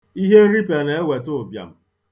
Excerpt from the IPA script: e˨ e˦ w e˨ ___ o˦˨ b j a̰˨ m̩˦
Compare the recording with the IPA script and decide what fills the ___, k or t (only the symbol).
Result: t